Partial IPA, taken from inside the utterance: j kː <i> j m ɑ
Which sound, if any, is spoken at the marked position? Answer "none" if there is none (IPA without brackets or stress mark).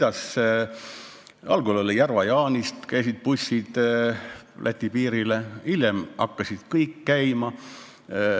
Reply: æ